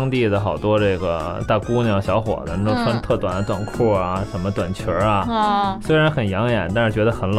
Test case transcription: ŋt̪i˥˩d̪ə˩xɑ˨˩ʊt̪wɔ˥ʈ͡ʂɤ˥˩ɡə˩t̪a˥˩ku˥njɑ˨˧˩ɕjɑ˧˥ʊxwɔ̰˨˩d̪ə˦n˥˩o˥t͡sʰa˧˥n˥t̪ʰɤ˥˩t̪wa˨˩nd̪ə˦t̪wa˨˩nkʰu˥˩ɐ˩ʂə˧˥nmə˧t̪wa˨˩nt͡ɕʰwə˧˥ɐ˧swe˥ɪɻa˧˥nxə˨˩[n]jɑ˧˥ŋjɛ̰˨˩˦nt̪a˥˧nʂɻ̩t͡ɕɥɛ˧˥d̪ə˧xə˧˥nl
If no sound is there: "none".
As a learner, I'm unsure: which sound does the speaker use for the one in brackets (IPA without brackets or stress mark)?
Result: n